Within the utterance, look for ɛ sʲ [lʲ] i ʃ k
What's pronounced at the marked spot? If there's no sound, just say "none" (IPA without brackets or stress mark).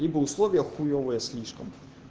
lʲ